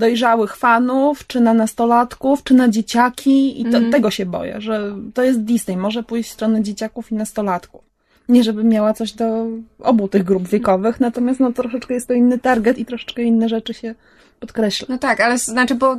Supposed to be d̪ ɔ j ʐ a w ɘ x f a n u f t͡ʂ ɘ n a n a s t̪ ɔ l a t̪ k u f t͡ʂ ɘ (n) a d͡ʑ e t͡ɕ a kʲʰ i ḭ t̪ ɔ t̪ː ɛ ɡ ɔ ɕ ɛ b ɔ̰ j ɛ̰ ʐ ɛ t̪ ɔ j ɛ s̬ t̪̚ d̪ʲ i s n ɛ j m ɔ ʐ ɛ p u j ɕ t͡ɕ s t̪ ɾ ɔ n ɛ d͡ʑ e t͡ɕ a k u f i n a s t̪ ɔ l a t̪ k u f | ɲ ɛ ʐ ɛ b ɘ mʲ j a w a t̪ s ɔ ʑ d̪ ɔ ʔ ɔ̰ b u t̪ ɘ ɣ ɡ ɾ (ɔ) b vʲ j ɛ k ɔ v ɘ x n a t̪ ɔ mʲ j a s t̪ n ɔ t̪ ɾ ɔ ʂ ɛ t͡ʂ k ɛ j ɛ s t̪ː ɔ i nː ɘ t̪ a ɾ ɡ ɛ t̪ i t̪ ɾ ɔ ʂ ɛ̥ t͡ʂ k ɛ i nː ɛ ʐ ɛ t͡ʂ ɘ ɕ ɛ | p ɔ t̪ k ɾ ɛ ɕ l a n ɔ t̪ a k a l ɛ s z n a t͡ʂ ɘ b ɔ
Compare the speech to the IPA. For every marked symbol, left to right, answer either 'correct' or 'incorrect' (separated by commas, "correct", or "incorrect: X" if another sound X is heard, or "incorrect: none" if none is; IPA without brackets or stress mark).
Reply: correct, incorrect: u